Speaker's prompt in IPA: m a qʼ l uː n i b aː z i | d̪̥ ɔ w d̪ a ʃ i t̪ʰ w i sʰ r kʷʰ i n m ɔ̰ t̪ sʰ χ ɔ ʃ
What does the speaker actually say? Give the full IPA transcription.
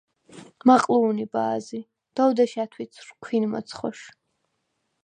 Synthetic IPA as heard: m a qʼ l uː n i b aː z i | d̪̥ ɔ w d̪ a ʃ a t̪ʰ w i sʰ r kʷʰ i n m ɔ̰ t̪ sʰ χ ɔ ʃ